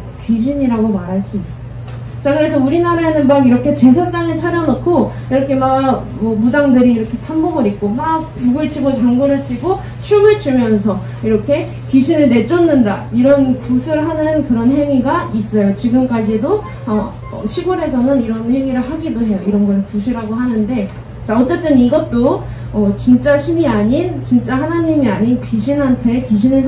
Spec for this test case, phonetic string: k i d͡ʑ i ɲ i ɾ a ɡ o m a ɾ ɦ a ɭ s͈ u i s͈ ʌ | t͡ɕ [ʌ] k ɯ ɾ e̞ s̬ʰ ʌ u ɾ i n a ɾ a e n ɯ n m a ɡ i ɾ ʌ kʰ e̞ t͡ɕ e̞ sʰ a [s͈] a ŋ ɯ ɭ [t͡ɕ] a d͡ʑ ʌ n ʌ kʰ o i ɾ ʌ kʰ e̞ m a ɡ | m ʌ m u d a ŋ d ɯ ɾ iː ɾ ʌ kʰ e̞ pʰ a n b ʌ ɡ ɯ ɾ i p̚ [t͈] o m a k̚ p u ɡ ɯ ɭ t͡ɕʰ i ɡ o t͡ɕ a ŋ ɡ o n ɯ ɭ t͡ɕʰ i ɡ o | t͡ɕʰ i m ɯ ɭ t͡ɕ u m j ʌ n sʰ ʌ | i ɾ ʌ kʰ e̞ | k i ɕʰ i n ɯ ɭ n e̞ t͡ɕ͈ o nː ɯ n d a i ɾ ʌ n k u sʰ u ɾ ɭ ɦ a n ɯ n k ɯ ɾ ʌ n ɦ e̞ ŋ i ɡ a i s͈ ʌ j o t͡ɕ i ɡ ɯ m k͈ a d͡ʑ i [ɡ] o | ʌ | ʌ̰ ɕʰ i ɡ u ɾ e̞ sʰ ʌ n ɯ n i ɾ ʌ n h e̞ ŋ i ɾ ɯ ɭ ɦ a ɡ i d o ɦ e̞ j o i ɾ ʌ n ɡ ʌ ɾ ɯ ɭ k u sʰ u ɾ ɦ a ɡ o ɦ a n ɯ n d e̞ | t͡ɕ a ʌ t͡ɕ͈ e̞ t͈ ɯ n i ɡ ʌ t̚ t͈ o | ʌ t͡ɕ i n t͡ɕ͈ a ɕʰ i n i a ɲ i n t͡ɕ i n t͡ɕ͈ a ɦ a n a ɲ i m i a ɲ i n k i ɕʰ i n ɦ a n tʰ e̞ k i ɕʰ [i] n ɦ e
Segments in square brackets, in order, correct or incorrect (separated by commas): incorrect, correct, incorrect, incorrect, incorrect, correct